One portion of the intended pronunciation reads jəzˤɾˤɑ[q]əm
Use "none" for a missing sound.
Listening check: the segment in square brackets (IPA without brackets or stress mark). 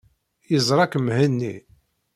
k